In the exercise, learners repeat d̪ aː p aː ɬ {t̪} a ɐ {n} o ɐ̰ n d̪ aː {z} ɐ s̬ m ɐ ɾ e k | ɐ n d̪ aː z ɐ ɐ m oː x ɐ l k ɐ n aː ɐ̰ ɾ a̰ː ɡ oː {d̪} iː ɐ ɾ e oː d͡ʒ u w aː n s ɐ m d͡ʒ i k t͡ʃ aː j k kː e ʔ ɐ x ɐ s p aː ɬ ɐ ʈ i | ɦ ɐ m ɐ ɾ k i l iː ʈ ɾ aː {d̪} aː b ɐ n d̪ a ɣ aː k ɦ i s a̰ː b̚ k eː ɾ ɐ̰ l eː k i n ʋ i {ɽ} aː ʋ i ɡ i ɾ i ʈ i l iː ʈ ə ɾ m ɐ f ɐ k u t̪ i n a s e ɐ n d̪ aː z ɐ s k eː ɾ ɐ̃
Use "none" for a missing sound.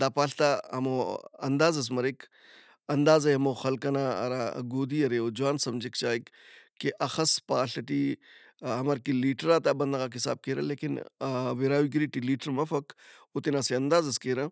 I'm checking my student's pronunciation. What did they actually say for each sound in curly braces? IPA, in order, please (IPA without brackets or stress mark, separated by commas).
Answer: t̪, m, z, d̪, t̪, ɾ